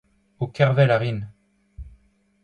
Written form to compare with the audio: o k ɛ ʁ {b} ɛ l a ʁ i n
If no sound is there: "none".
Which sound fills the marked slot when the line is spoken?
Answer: v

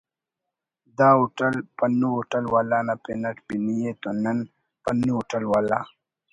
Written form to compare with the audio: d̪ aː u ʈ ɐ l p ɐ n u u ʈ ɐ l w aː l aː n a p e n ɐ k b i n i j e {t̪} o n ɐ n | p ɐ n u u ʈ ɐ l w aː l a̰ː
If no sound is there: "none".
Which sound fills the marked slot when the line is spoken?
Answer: t̪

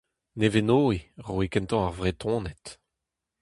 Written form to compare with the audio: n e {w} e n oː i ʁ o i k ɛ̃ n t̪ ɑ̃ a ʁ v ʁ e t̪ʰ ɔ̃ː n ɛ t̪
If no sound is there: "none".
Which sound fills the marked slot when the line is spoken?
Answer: v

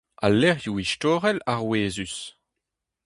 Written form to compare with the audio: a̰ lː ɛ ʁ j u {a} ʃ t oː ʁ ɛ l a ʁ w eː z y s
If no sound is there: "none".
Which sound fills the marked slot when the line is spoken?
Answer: i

